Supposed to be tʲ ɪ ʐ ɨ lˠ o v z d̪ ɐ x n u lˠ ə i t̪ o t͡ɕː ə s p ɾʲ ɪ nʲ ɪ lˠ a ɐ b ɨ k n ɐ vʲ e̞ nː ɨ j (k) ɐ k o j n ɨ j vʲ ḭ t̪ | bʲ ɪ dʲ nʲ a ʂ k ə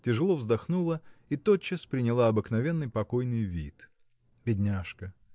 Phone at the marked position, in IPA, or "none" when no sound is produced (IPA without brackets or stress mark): p